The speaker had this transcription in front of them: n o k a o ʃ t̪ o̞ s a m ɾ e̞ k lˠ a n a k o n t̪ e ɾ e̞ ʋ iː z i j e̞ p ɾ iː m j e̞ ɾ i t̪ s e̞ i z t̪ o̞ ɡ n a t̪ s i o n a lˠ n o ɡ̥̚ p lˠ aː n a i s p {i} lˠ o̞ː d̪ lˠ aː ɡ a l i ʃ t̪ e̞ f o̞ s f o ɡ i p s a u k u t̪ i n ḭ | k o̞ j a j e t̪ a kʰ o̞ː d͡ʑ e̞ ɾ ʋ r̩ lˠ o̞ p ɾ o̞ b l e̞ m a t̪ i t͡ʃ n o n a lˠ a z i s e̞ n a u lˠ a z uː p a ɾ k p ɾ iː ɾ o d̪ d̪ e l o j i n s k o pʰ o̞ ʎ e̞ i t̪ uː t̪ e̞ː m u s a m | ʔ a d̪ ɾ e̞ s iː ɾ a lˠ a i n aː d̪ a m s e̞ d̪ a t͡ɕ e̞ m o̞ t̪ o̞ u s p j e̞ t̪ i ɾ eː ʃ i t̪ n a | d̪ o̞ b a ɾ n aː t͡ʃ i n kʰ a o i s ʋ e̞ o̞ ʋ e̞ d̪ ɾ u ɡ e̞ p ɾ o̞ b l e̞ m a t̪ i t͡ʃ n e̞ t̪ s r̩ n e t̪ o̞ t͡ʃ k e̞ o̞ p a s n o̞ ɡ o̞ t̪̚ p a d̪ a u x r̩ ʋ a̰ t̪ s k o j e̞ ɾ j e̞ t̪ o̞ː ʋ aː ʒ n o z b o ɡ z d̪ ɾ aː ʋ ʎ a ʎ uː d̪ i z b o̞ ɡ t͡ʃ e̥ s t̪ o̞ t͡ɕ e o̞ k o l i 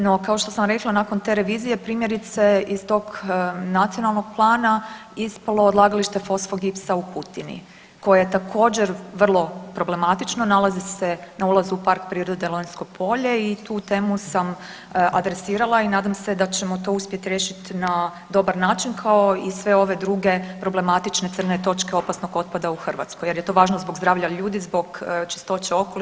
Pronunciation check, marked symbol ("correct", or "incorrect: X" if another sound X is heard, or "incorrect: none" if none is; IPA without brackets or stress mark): incorrect: a